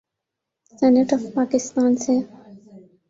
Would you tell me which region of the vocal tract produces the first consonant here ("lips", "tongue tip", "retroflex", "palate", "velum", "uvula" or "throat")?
tongue tip